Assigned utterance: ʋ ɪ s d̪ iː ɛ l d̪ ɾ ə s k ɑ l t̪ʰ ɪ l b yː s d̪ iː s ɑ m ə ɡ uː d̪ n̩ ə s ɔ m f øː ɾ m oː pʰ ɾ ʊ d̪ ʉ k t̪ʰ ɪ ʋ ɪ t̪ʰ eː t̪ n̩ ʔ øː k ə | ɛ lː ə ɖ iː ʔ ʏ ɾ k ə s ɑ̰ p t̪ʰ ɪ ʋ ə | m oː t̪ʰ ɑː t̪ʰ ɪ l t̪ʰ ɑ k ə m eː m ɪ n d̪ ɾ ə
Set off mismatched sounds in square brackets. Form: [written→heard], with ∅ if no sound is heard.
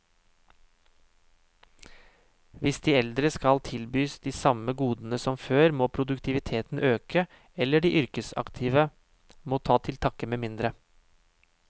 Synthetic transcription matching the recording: ʋ ɪ s d̪ iː ɛ l d̪ ɾ ə s k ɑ l t̪ʰ ɪ l b yː s d̪ iː s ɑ m ə ɡ uː d̪ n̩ ə s ɔ m f øː ɾ m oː pʰ ɾ ʊ d̪ ʉ k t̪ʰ ɪ ʋ ɪ t̪ʰ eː t̪ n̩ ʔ øː k ə | ɛ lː ə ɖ iː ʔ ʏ ɾ k ə s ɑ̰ [p→k] t̪ʰ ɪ ʋ ə | m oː t̪ʰ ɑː t̪ʰ ɪ l t̪ʰ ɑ k ə m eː m ɪ n d̪ ɾ ə